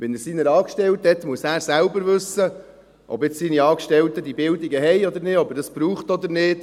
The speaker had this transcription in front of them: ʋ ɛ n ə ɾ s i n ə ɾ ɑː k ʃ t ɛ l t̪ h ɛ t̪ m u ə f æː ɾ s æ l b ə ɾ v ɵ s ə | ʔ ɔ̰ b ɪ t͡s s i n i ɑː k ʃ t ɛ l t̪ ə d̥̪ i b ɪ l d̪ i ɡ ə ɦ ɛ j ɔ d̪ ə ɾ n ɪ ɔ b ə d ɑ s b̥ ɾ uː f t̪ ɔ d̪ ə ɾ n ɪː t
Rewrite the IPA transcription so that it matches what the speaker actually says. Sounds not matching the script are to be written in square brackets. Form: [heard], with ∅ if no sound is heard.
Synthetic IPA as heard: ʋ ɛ n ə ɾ s i n ə ɾ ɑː k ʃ t ɛ l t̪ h ɛ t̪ m u ə [s] æː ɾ s æ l b ə ɾ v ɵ s ə | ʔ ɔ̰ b ɪ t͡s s i n i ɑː k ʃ t ɛ l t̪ ə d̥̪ i b ɪ l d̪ i ɡ ə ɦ ɛ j ɔ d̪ ə ɾ n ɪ ɔ b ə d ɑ s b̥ ɾ uː [χ] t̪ ɔ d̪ ə ɾ n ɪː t